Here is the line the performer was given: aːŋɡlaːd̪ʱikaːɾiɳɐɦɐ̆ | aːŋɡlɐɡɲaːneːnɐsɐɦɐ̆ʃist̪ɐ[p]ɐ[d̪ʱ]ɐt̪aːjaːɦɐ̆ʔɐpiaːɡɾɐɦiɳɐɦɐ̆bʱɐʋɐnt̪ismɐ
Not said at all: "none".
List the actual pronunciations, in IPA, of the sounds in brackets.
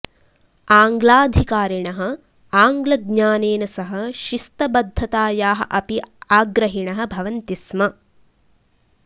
b, d̪ʱː

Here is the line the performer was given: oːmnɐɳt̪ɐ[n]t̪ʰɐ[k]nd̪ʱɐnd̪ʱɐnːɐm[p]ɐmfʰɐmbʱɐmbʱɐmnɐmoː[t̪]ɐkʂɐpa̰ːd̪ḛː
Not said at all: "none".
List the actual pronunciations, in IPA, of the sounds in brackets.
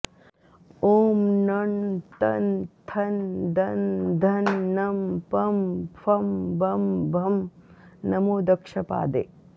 n, none, p, d̪

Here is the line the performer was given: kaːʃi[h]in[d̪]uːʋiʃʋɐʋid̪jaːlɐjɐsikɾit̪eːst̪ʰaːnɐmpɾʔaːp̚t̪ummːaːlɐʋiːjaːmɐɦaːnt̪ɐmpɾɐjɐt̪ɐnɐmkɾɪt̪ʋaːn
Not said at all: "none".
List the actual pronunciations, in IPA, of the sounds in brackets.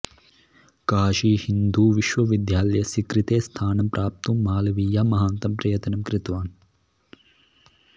h, d̪

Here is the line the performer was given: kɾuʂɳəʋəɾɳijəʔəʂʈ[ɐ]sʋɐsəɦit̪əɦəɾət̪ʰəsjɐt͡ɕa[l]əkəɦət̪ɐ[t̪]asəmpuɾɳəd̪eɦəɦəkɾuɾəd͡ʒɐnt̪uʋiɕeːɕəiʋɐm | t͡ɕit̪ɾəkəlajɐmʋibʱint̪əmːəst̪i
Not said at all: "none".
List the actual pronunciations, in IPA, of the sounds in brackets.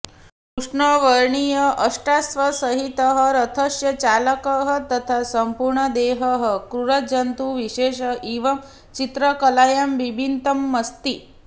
a, l, t̪ʰ

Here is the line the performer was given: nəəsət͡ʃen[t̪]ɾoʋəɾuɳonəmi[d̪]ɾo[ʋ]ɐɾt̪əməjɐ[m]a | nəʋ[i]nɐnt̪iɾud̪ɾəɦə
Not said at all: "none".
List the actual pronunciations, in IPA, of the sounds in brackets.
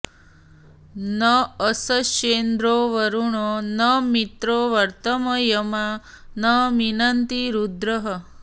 d̪, t̪, ʋ, m, i

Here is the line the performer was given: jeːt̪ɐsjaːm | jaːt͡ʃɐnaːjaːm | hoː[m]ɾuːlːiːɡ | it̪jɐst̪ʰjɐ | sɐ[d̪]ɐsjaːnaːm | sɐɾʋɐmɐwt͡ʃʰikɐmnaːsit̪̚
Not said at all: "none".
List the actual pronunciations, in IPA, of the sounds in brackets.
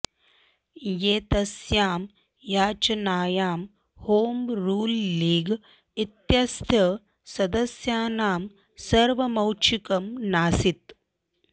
m, d̪

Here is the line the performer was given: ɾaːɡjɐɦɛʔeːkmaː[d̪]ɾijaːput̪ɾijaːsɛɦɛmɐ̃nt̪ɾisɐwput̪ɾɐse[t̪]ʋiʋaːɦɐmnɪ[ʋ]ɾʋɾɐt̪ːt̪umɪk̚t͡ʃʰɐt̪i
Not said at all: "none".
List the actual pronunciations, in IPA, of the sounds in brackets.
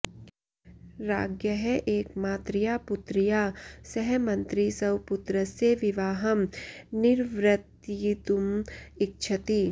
t̪, none, none

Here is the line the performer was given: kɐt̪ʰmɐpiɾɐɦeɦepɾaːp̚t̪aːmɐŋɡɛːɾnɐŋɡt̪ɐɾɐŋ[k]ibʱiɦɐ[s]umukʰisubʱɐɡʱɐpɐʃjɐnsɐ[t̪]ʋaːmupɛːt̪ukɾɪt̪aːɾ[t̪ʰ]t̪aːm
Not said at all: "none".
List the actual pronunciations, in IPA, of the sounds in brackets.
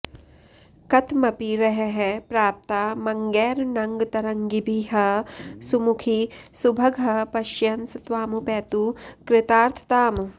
ɡ, s, t̪, t̪ʰ

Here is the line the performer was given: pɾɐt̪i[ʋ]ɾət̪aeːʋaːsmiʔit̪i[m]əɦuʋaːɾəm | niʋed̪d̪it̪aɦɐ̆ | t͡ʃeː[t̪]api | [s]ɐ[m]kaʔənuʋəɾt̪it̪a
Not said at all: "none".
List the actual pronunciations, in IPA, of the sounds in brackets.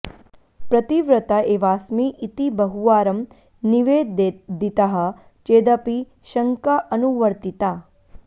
ʋ, b, d̪, ʃ, ŋ

